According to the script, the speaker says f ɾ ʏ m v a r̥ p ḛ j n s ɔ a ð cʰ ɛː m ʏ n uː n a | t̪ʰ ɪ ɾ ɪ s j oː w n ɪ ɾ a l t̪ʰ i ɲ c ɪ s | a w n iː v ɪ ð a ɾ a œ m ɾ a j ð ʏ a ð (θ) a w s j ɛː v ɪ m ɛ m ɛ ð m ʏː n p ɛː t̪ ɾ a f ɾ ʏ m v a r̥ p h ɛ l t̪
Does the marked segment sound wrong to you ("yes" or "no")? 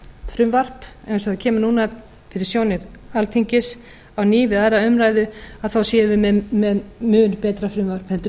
no